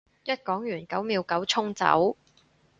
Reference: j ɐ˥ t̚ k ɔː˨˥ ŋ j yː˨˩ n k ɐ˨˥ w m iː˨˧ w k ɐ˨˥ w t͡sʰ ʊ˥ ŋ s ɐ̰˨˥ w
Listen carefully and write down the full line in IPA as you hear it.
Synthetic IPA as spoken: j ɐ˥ t̚ k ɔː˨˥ ŋ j yː˨˩ n k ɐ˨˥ w m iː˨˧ w k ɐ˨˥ w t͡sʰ ʊ˥ ŋ t͡s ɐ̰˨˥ w